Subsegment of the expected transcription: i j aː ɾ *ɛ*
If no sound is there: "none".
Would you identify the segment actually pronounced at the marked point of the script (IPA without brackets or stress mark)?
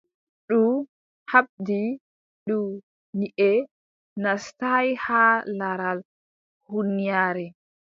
ɛ